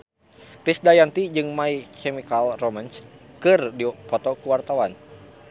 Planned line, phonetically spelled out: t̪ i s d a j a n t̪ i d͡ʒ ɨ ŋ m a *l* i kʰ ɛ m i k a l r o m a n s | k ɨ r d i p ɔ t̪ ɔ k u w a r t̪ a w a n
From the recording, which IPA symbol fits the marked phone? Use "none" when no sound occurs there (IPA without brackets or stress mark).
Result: none